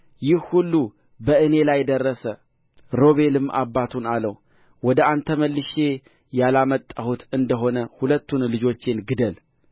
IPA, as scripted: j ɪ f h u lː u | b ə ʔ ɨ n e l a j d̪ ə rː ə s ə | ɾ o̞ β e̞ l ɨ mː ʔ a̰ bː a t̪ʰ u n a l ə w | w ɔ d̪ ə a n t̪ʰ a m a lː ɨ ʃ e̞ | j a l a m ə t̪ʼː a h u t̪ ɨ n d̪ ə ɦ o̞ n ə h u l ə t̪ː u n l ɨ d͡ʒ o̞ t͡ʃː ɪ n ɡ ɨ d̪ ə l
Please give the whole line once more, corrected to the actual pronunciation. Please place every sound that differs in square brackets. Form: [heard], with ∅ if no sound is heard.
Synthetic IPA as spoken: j ɪ [h] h u lː u | b ə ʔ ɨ n e l a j d̪ ə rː ə s ə | ɾ o̞ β e̞ l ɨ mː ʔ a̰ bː a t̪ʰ u n a l ə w | w ɔ d̪ ə a n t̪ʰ [ə] m [ə] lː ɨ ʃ e̞ | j a l a m ə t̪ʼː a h u t̪ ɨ n d̪ ə ɦ o̞ n ə h u l ə t̪ː u n l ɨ d͡ʒ o̞ t͡ʃː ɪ n ɡ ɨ d̪ ə l